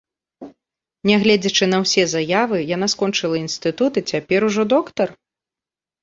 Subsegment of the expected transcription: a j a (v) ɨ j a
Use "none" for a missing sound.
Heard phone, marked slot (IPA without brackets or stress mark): v